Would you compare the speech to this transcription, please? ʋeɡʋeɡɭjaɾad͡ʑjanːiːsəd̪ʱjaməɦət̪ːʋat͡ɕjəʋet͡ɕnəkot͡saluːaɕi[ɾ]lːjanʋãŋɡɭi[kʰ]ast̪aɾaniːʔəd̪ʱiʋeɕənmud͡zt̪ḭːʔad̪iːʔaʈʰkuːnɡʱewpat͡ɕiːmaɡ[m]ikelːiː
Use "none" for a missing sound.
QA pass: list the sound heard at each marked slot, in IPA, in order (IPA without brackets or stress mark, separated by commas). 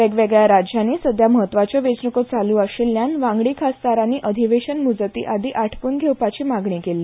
none, kʰ, ɳ